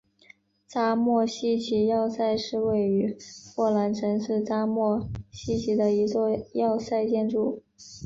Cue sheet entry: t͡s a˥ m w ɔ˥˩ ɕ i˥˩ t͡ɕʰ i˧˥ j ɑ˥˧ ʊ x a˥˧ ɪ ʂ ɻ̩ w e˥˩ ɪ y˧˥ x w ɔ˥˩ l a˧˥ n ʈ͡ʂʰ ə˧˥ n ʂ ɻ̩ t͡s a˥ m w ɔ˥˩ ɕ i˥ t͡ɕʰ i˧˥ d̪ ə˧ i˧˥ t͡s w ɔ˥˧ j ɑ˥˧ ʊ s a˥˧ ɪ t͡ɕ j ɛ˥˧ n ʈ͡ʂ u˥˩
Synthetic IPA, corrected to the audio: t͡s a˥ m w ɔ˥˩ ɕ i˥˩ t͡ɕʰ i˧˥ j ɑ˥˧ ʊ s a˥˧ ɪ ʂ ɻ̩ w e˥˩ ɪ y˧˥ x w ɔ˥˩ l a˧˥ n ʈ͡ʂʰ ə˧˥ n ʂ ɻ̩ t͡s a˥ m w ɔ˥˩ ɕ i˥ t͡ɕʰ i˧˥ d̪ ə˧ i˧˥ t͡s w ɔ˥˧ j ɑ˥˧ ʊ s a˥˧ ɪ t͡ɕ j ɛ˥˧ n ʈ͡ʂ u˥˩